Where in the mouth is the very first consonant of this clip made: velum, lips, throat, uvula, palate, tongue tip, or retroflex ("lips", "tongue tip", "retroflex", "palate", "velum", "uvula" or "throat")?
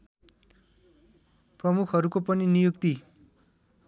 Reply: lips